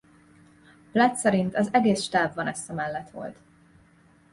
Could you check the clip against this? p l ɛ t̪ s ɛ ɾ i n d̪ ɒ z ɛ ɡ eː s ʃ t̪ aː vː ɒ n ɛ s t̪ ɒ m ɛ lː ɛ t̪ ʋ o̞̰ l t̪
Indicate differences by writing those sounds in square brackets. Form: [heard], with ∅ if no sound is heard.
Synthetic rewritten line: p l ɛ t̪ s ɛ ɾ i n [t̪] ɒ z ɛ ɡ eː s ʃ t̪ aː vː ɒ n ɛ s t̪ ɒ m ɛ lː ɛ t̪ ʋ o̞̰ l t̪